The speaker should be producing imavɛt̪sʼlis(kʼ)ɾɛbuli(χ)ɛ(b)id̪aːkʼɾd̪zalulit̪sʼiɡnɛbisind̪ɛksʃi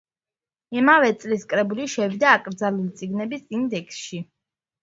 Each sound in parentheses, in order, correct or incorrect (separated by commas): correct, incorrect, incorrect